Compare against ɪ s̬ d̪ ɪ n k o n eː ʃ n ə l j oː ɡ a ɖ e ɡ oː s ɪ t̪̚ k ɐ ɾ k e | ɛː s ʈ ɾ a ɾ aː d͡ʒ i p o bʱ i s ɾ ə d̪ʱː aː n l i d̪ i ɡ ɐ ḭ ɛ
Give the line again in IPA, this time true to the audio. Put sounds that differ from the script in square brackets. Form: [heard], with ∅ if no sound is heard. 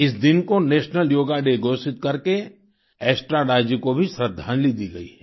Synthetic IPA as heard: ɪ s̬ d̪ ɪ n k o n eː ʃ n ə l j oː ɡ a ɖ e ɡ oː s ɪ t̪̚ k ɐ ɾ k e | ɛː s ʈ ɾ a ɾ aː d͡ʒ i [k] o bʱ i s ɾ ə d̪ʱː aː n l i d̪ i ɡ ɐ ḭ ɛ